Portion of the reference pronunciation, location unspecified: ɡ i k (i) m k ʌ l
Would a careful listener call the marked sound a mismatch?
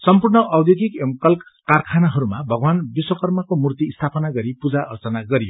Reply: yes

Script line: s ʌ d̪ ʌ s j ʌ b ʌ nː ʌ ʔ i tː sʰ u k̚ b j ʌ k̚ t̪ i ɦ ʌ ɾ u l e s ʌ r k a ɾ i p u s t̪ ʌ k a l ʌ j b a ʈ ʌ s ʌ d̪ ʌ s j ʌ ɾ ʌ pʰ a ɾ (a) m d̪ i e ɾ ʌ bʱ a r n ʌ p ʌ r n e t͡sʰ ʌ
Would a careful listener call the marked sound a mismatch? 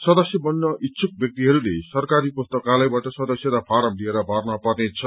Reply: yes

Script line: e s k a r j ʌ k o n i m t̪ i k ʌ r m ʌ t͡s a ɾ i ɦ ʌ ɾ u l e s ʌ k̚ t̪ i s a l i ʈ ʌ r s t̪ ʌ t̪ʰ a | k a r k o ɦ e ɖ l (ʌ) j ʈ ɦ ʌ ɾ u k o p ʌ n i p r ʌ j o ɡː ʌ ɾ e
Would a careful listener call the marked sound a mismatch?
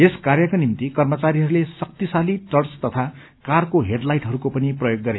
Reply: yes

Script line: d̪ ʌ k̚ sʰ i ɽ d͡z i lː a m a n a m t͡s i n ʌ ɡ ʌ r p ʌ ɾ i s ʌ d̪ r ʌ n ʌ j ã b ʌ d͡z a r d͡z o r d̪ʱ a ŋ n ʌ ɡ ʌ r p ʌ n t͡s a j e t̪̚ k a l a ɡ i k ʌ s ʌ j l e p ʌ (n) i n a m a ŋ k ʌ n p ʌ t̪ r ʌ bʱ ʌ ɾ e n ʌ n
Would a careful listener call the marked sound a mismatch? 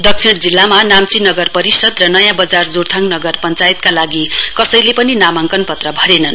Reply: no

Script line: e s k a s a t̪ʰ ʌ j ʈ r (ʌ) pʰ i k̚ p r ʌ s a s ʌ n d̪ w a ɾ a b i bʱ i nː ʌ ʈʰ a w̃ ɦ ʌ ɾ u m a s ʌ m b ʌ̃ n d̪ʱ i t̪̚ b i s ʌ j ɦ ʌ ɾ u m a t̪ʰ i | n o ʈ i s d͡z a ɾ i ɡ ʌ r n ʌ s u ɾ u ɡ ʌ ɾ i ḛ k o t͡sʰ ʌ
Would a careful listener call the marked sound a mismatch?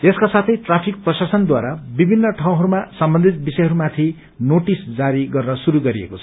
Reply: yes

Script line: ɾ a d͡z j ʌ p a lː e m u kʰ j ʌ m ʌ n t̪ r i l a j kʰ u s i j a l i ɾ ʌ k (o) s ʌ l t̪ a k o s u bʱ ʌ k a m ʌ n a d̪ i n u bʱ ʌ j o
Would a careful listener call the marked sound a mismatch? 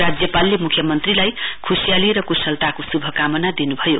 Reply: yes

